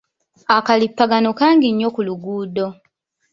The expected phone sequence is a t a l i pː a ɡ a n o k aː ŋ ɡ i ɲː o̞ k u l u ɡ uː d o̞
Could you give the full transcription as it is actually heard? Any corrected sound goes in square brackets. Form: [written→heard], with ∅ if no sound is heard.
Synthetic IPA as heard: a [t→k] a l i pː a ɡ a n o k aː ŋ ɡ i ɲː o̞ k u l u ɡ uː d o̞